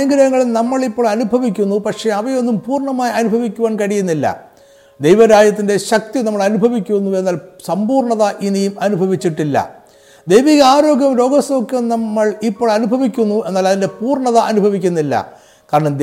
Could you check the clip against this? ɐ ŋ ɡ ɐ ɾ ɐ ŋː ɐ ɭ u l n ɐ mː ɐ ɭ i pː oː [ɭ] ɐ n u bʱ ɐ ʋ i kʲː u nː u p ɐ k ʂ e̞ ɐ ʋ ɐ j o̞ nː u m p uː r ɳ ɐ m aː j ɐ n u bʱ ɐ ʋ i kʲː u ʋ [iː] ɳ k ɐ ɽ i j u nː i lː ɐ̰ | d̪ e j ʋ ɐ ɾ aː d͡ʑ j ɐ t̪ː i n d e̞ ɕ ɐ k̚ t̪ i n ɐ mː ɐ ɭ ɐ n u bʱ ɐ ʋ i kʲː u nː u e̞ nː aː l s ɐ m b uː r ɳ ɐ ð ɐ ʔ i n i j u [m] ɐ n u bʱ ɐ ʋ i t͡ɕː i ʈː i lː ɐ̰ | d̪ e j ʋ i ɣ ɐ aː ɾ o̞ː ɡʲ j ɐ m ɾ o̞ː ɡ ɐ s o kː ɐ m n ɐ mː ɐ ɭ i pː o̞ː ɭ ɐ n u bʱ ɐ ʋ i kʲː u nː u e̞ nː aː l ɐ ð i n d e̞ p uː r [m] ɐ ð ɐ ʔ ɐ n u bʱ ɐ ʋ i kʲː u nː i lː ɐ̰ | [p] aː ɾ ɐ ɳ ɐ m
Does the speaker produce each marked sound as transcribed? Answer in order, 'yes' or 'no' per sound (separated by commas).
yes, no, yes, no, no